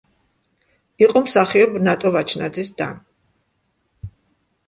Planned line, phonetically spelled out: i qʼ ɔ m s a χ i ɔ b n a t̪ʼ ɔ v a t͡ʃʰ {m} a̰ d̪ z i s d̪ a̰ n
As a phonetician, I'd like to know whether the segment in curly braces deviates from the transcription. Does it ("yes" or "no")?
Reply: yes